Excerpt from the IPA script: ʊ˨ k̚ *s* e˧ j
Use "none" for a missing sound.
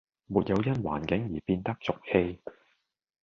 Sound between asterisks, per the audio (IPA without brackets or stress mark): h